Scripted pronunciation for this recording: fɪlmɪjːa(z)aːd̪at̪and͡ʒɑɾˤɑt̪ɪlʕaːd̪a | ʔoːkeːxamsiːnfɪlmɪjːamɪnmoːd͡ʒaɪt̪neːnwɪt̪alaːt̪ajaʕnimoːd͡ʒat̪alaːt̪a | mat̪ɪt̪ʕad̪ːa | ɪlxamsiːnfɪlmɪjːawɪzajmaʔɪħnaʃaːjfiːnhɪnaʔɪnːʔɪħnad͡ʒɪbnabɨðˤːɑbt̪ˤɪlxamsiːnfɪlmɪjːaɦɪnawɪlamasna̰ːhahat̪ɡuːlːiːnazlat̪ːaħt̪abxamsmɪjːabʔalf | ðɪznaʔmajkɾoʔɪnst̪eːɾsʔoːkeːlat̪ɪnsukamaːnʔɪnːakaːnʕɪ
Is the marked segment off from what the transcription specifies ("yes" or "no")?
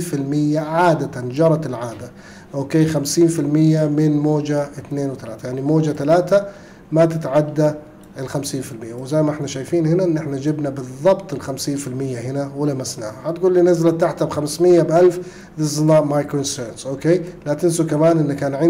yes